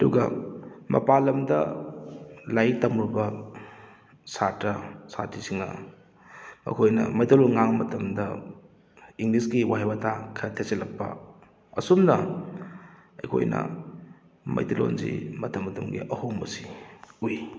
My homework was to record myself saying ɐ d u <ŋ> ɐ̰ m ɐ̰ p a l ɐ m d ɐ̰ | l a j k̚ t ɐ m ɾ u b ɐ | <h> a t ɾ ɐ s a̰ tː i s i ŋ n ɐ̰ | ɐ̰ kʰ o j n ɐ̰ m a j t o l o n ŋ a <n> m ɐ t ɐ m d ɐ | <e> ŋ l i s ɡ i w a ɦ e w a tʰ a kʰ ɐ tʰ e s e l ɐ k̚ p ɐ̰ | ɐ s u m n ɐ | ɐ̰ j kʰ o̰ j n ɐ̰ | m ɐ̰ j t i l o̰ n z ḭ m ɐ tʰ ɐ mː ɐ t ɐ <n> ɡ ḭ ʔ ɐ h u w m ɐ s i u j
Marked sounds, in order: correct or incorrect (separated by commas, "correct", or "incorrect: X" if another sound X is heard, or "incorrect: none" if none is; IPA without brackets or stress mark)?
incorrect: ɡ, incorrect: s, incorrect: ŋ, incorrect: i, incorrect: m